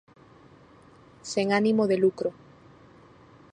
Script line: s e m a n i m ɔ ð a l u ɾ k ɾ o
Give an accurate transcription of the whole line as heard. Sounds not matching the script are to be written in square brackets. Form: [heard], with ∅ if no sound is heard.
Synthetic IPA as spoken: s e [ŋ] a n i m [o] ð [e] l u [∅] k ɾ o